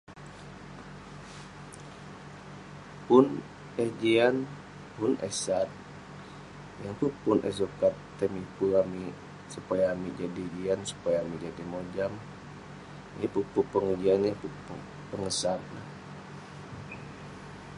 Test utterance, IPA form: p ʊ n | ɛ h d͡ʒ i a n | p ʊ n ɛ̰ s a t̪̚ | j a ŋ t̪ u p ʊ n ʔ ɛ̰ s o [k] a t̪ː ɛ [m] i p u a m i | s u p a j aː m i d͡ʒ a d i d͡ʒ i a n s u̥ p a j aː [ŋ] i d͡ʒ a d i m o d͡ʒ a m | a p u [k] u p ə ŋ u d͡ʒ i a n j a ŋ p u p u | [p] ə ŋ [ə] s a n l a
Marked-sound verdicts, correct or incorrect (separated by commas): correct, correct, incorrect, incorrect, correct, correct